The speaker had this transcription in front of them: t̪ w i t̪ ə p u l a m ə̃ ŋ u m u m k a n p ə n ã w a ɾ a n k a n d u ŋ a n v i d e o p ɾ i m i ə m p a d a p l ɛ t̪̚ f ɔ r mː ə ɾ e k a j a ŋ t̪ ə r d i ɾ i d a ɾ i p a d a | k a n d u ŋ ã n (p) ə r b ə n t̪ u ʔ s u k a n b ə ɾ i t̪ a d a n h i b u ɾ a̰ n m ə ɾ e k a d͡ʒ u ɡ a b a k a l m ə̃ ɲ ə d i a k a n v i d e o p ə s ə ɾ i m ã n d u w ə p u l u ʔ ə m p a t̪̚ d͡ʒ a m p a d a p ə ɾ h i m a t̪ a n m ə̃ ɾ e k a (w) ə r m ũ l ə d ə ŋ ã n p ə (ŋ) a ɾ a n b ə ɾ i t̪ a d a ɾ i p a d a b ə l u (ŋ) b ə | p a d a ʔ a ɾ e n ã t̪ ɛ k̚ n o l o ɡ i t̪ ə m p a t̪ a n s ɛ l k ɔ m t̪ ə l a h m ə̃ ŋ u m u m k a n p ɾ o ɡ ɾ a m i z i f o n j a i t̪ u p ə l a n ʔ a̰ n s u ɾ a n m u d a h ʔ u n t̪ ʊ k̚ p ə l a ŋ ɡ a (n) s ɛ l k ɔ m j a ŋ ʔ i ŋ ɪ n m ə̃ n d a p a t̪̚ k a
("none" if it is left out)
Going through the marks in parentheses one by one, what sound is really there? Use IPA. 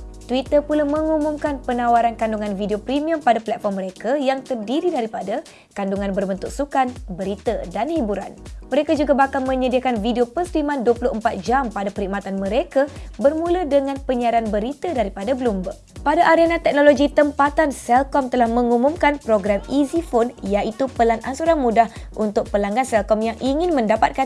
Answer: b, b, ɲ, m, n

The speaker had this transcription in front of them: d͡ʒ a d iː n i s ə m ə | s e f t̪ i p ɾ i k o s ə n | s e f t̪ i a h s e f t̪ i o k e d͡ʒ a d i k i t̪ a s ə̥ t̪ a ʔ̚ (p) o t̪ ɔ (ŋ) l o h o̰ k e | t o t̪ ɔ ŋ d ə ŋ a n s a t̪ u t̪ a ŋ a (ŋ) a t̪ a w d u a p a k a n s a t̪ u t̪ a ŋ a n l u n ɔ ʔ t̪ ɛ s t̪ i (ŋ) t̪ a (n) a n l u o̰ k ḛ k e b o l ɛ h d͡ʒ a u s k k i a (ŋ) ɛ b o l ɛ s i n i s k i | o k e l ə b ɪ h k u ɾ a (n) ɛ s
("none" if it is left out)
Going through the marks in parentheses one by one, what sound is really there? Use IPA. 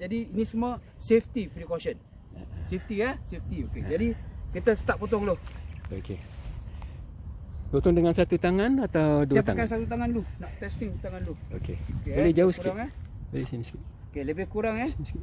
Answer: p, ŋ, n, ŋ, ŋ, ŋ, ŋ

